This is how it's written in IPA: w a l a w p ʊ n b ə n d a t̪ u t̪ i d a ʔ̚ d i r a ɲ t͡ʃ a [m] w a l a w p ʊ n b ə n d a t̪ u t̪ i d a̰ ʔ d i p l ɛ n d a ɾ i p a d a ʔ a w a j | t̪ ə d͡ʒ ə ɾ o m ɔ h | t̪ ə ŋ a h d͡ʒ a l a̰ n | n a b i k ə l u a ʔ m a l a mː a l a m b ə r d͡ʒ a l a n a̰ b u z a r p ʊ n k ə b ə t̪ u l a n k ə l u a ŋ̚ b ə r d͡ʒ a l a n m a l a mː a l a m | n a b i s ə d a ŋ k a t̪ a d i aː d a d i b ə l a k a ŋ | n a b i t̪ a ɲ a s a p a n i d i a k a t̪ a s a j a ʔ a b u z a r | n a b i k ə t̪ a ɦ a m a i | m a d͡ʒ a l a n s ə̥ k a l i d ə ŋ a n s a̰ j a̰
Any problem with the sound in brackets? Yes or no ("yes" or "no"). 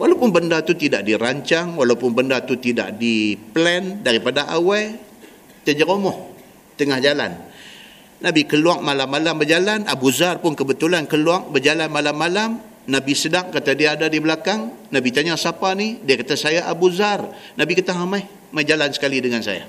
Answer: yes